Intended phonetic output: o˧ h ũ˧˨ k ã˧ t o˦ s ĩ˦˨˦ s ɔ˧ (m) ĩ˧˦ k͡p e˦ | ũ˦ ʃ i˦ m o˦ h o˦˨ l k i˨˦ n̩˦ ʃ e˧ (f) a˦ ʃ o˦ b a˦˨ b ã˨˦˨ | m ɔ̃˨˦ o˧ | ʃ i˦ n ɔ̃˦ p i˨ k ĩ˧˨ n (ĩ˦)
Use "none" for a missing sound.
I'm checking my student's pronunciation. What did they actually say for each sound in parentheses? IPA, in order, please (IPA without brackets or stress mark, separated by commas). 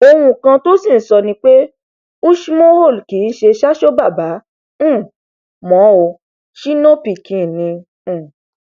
n, ʃ, ĩ˧˨